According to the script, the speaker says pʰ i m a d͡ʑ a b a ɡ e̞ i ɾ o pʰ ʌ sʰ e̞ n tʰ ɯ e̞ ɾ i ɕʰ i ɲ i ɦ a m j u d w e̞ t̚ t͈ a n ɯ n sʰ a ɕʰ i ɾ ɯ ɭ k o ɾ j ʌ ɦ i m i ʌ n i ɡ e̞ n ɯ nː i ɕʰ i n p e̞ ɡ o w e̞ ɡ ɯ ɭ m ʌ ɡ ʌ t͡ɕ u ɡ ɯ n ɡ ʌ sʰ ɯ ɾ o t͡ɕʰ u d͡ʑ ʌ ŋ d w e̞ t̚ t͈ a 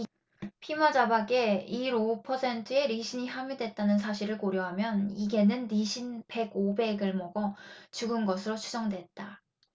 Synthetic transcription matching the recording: pʰ i m a d͡ʑ a b a ɡ e̞ i ɾ o pʰ ʌ sʰ e̞ n tʰ ɯ e̞ ɾ i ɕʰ i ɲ i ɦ a m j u d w e̞ t̚ t͈ a n ɯ n sʰ a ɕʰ i ɾ ɯ ɭ k o ɾ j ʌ ɦ a m j ʌ n i ɡ e̞ n ɯ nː i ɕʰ i n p e̞ ɡ o b e̞ ɡ ɯ ɭ m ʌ ɡ ʌ t͡ɕ u ɡ ɯ n ɡ ʌ sʰ ɯ ɾ o t͡ɕʰ u d͡ʑ ʌ ŋ d w e̞ t̚ t͈ a